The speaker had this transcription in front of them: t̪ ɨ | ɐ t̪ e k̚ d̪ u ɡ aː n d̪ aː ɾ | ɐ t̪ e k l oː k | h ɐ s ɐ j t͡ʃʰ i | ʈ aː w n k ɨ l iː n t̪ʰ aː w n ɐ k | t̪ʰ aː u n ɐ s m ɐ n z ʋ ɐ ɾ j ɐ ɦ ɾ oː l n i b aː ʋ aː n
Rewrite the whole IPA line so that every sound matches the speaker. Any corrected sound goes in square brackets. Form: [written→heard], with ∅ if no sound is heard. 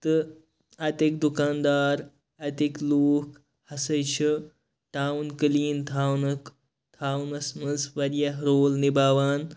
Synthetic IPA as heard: t̪ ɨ | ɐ t̪ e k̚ d̪ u [ɡ→k] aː n d̪ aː ɾ | ɐ t̪ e k l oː k | h ɐ s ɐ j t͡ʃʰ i | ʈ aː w n k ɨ l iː n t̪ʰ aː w n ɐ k | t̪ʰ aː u n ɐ s m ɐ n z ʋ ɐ ɾ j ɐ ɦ ɾ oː l n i b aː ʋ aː n